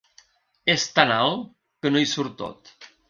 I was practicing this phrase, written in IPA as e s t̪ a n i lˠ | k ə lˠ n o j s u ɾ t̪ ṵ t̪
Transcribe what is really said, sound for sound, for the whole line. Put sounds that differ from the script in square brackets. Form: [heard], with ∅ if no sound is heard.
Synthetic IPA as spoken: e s t̪ a n [a] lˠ | k ə [∅] n o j s u ɾ t̪ [o̰] t̪